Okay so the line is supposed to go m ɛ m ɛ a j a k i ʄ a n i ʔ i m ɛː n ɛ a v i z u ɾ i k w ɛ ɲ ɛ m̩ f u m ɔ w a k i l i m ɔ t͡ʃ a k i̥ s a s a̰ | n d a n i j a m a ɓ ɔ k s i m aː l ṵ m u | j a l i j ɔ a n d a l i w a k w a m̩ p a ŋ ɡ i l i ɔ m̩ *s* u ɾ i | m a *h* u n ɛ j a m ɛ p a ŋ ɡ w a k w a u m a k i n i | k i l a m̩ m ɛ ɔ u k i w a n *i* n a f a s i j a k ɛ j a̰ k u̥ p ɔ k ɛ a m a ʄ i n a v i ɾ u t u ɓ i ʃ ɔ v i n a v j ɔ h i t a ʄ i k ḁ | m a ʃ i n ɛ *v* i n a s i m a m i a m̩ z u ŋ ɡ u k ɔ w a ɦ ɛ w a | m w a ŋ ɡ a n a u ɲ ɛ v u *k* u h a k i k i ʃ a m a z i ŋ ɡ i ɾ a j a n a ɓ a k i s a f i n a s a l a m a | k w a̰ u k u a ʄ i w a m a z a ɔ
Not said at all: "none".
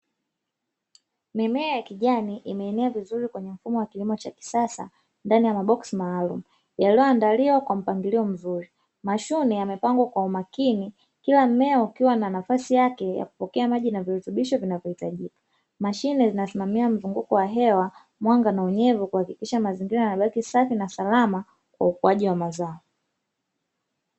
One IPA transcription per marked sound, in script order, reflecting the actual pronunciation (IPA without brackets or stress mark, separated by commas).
z, ʃ, a, z, k